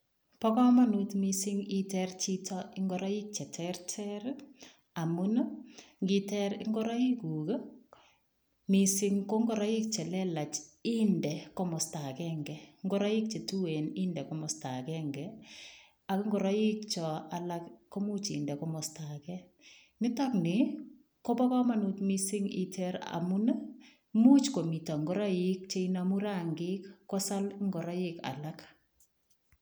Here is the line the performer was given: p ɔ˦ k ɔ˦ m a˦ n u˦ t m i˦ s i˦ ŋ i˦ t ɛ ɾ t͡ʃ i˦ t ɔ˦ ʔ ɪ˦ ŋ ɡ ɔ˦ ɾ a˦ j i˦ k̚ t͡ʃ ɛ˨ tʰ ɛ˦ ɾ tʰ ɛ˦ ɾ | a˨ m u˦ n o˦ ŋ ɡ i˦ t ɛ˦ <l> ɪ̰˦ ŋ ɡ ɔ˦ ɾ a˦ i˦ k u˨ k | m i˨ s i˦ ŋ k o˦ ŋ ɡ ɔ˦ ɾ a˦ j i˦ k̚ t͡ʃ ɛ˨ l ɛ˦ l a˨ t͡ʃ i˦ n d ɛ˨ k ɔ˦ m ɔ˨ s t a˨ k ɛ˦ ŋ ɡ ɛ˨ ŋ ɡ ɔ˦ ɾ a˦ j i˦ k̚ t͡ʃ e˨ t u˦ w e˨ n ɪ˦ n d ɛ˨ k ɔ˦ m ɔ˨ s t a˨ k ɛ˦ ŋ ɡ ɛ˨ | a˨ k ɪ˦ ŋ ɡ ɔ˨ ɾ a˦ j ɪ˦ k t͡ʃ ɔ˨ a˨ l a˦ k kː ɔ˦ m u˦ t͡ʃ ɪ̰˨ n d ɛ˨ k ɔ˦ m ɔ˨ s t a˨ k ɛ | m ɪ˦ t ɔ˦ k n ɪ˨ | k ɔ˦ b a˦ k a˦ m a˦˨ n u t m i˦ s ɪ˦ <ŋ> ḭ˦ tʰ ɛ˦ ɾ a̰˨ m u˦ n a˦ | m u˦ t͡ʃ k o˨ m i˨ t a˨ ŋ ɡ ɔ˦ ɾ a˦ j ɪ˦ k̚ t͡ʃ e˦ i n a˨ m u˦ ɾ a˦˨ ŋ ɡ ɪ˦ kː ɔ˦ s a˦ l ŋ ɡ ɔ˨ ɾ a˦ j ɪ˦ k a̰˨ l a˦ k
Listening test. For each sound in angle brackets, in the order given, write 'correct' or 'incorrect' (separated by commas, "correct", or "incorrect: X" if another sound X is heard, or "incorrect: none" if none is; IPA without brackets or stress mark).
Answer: incorrect: ɾ, correct